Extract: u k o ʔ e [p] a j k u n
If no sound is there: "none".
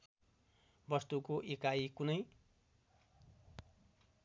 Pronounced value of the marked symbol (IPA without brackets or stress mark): k